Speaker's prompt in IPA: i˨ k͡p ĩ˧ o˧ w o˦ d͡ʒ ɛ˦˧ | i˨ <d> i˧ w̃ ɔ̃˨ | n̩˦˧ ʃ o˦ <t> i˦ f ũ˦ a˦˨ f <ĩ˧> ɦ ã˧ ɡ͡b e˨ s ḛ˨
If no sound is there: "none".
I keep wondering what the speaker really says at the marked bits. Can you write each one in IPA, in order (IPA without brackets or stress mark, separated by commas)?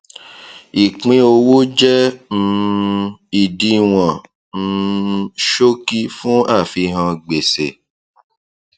d, k, i˧